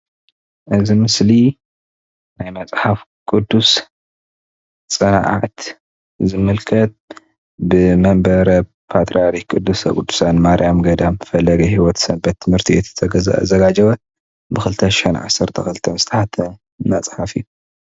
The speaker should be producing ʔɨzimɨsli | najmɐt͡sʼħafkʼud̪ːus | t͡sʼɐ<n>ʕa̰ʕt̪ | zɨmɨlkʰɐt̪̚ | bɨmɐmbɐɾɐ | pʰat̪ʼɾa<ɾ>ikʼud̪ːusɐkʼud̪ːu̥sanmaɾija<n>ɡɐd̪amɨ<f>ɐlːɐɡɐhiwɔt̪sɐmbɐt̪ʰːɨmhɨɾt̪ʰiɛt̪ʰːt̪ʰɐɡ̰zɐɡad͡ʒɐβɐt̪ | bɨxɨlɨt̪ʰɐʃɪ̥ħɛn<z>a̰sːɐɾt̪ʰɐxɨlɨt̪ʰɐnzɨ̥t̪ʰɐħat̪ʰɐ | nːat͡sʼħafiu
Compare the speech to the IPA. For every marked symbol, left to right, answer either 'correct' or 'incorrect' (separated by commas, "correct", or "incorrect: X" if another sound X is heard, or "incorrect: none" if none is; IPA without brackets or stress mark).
correct, correct, incorrect: m, correct, incorrect: ʕ